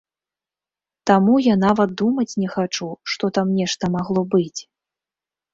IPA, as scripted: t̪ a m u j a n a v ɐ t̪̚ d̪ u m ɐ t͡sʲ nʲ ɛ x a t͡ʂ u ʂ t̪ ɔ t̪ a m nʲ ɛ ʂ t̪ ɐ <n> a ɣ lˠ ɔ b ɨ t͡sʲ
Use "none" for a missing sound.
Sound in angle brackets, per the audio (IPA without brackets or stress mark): m